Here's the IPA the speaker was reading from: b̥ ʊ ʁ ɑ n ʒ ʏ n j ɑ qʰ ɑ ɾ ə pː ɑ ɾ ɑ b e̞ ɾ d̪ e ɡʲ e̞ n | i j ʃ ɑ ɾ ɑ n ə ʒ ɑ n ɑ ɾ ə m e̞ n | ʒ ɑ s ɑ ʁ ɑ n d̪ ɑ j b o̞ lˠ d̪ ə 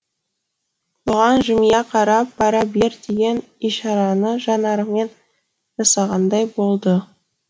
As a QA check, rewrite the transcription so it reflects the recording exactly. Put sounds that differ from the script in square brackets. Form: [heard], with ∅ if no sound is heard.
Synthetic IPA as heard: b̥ ʊ ʁ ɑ n ʒ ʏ [m] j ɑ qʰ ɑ ɾ [ɑ] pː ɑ ɾ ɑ b e̞ ɾ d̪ e ɡʲ e̞ n | i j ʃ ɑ ɾ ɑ n ə ʒ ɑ n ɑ ɾ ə m e̞ n | ʒ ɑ s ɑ ʁ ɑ n d̪ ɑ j b o̞ lˠ d̪ ə